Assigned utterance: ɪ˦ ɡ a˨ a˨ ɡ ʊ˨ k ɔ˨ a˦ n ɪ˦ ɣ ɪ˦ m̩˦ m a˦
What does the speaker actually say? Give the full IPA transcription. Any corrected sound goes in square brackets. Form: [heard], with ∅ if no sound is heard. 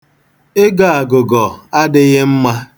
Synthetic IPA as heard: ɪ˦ ɡ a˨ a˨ ɡ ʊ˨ [ɡ] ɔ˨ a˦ [d] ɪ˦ ɣ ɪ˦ m̩˦ m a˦